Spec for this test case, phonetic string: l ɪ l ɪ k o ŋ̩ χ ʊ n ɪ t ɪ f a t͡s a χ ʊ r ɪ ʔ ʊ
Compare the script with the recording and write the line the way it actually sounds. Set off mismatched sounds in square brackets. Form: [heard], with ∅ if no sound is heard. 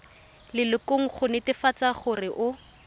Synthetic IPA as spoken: l ɪ l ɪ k o ŋ̩ χ ʊ n ɪ t ɪ f a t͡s a χ ʊ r ɪ ʔ ʊ